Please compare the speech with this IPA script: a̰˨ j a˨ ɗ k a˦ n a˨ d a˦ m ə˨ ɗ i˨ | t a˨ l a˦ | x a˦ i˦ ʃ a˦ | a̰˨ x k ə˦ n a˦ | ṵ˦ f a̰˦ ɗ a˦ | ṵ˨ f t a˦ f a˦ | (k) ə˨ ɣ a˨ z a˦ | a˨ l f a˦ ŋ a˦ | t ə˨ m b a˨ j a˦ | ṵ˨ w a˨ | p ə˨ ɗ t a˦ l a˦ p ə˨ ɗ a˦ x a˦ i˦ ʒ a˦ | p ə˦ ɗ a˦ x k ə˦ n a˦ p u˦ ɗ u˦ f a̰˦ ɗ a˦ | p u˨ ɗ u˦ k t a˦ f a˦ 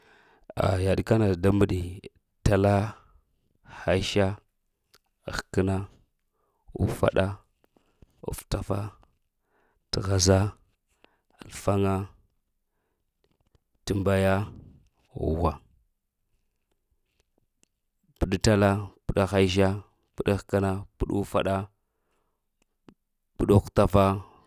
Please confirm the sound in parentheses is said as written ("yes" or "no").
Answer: no